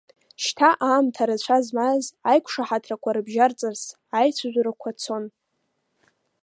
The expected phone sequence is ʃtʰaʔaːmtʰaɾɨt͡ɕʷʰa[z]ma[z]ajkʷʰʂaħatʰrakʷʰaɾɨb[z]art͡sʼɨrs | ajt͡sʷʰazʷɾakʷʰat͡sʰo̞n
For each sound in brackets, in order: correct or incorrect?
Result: correct, correct, incorrect: ʒ

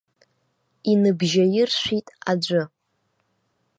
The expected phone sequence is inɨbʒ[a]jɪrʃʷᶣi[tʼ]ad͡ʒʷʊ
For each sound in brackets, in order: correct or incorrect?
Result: correct, correct

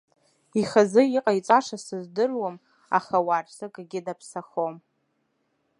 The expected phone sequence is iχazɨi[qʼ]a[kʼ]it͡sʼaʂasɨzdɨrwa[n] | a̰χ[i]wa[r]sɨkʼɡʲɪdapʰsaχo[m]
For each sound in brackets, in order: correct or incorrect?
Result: correct, incorrect: none, incorrect: m, incorrect: a, correct, correct

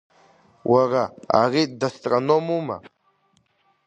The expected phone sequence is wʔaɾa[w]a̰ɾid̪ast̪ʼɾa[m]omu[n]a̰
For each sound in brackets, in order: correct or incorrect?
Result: incorrect: none, incorrect: n, incorrect: m

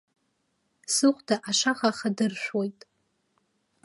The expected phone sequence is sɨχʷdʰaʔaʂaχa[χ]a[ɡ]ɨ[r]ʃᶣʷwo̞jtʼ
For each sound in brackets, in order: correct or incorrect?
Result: correct, incorrect: d, correct

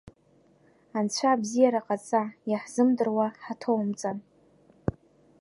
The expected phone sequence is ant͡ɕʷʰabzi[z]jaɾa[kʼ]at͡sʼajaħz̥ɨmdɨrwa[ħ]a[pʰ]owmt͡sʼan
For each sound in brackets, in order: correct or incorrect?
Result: incorrect: none, incorrect: qʼ, correct, incorrect: tʰ

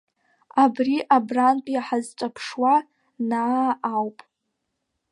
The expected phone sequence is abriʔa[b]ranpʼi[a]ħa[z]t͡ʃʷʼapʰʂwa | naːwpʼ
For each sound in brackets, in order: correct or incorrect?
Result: correct, correct, correct

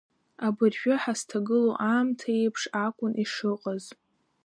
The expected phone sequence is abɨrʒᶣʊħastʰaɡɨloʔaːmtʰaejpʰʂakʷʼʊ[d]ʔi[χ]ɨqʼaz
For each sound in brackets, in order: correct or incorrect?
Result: incorrect: n, incorrect: ʂ

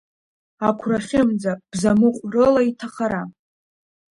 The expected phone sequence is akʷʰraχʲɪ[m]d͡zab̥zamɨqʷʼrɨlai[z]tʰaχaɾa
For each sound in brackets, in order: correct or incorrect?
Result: correct, incorrect: none

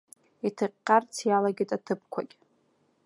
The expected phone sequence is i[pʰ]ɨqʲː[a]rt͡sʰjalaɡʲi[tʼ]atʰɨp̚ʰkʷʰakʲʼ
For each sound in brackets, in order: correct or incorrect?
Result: incorrect: tʰ, correct, correct

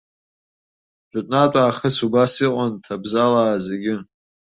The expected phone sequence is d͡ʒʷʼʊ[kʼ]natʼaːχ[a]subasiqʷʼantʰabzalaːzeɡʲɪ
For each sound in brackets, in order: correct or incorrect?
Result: incorrect: tʼ, incorrect: ə

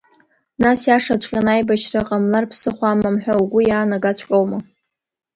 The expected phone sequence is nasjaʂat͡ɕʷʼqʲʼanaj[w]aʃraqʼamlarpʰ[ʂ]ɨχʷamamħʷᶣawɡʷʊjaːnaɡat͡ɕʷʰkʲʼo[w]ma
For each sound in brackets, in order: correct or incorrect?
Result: incorrect: b, incorrect: s, correct

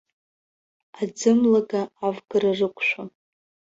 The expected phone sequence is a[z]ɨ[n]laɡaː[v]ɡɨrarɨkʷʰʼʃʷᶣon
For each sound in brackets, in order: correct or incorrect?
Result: incorrect: d͡z, incorrect: m, correct

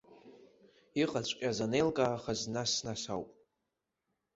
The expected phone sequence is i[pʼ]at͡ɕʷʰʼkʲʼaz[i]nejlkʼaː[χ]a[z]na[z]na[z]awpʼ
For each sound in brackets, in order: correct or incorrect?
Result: incorrect: qʼ, incorrect: a, correct, correct, incorrect: s, incorrect: s

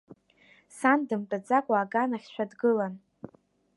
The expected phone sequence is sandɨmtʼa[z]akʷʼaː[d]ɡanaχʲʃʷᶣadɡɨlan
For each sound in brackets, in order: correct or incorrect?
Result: incorrect: d͡z, incorrect: none

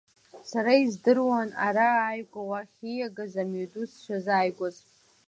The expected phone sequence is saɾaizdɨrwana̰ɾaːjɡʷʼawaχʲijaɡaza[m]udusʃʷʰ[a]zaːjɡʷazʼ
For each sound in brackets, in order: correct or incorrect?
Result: correct, correct

